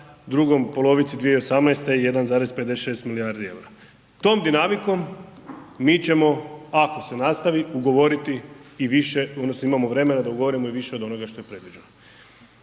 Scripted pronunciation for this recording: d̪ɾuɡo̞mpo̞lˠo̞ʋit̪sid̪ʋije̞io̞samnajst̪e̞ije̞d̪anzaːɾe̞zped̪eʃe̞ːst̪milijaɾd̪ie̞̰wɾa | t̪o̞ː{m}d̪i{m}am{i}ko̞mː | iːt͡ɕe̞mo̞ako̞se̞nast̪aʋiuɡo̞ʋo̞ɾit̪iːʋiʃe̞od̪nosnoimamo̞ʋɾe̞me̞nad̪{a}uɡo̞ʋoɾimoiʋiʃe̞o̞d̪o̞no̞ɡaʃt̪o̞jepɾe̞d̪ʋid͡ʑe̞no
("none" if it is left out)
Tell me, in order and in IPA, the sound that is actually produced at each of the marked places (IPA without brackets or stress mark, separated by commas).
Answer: m, n, i, a